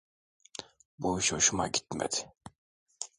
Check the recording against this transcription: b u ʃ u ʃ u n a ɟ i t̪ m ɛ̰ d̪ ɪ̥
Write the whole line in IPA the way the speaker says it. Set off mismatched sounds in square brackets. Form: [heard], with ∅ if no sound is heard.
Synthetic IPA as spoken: b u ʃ [o] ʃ u [m] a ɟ i t̪ m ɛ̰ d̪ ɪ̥

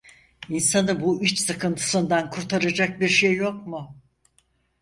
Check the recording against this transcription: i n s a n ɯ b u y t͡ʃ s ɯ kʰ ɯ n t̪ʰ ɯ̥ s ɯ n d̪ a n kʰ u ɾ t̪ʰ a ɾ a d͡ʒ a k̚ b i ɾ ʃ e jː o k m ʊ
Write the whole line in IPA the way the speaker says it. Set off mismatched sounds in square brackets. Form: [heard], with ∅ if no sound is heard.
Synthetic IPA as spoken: i n s a n ɯ b u y t͡ʃ s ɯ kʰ ɯ n t̪ʰ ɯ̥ s ɯ n d̪ a n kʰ u ɾ t̪ʰ a ɾ a d͡ʒ a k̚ b i ɾ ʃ e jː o k m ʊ

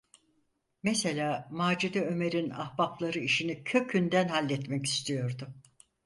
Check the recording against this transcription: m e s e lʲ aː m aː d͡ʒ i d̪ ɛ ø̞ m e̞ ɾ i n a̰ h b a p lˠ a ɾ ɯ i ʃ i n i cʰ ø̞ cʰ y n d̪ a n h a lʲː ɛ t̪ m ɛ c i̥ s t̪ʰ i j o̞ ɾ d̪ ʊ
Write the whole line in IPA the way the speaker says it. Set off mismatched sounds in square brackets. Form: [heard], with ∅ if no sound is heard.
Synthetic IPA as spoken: m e s e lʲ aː m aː d͡ʒ i d̪ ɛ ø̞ m e̞ ɾ i n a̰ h b a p lˠ a ɾ ɯ i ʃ i n i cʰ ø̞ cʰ y n d̪ [æ] n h a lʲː ɛ t̪ m ɛ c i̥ s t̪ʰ i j o̞ ɾ d̪ ʊ

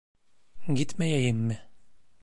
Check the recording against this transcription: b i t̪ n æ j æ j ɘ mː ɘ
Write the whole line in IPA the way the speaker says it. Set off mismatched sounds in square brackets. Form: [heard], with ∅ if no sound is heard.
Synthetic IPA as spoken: [ɡ] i t̪ [m] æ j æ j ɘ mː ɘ

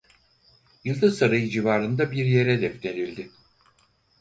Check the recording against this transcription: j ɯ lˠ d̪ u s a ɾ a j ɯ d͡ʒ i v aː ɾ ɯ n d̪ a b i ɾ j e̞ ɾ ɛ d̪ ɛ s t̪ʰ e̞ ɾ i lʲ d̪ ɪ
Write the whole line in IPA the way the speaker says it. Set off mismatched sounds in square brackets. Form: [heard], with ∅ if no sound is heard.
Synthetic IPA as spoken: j ɯ lˠ d̪ [ɯ] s a ɾ a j ɯ d͡ʒ i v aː ɾ ɯ n d̪ a b i ɾ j e̞ ɾ ɛ d̪ ɛ [f] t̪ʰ e̞ ɾ i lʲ d̪ ɪ

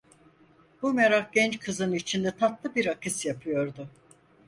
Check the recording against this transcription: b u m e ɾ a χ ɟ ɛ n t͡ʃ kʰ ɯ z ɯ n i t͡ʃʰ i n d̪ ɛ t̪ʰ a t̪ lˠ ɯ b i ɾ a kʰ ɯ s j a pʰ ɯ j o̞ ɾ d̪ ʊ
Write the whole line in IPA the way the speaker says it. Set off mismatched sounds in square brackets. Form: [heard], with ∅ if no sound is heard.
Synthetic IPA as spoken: b u m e ɾ a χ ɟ ɛ n t͡ʃ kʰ ɯ z ɯ n i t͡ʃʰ i n d̪ ɛ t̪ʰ a t̪ lˠ ɯ b i ɾ a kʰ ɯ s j a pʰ ɯ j o̞ ɾ d̪ ʊ

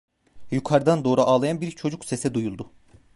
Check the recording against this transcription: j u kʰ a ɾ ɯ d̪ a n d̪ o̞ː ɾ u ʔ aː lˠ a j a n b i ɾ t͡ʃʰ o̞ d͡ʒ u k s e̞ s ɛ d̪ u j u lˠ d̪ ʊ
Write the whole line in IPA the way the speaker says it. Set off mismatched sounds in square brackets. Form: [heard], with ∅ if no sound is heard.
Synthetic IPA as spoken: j u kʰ a ɾ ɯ d̪ a n d̪ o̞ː ɾ u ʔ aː lˠ a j a n b i ɾ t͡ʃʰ o̞ d͡ʒ u k s e̞ s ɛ d̪ u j u lˠ d̪ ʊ

